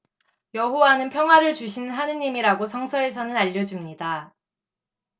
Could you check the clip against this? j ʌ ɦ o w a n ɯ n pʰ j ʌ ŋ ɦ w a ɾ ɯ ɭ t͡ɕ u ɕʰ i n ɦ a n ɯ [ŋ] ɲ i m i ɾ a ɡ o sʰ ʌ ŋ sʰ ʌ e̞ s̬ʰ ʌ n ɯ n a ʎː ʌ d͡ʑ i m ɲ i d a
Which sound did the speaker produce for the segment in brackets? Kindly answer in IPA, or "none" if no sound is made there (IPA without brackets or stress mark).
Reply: none